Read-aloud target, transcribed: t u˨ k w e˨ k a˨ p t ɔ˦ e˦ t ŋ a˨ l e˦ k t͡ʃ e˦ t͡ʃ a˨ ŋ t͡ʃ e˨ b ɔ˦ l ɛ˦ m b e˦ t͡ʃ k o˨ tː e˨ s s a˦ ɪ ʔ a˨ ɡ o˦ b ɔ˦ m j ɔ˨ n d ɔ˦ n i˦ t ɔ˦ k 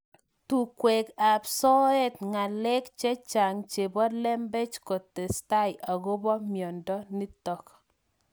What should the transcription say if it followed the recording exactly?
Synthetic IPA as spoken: t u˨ k w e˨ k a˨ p s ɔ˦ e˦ t ŋ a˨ l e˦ k t͡ʃ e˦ t͡ʃ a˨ ŋ t͡ʃ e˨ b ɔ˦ l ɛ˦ m b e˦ t͡ʃ k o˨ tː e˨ s t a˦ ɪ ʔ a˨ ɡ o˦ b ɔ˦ m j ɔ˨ n d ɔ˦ n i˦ t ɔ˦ k